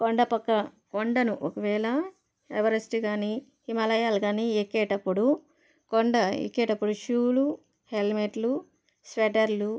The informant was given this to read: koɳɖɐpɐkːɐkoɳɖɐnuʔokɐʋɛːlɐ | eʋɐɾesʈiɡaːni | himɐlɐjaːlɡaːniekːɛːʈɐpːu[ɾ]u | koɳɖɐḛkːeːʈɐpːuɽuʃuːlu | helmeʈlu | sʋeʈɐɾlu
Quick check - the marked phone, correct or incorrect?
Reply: incorrect